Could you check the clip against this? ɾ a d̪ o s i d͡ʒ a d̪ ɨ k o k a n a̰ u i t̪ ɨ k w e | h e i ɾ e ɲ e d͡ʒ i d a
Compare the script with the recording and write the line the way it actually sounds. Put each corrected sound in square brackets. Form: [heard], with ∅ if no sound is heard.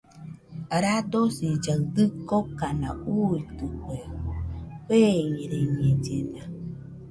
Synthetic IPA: ɾ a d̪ o s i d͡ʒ a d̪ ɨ k o k a n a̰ u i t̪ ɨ k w e | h e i ɾ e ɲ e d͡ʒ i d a